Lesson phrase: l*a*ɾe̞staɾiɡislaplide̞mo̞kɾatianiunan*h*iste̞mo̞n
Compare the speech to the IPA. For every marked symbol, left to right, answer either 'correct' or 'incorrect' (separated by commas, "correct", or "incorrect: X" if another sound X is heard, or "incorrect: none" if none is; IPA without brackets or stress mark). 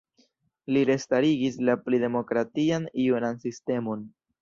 incorrect: i, incorrect: s